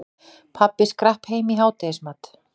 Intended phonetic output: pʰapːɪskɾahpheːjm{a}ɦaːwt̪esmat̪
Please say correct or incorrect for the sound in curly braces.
incorrect